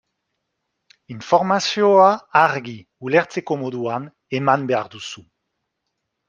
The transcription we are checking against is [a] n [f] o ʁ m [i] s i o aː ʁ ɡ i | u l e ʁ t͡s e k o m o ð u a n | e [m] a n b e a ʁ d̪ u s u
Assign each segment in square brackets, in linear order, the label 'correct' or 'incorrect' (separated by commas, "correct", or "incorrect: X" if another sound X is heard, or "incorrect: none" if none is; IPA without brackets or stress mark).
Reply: incorrect: i, correct, incorrect: a, correct